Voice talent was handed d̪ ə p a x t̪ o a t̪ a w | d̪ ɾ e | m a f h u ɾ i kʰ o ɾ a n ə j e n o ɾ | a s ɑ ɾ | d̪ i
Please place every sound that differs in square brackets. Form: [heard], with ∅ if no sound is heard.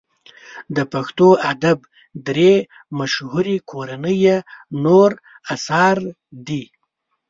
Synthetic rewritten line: d̪ ə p a x t̪ o a [d̪] a [b] | d̪ ɾ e | m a [ʃ] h u ɾ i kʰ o ɾ a n ə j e n o ɾ | a s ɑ ɾ | d̪ i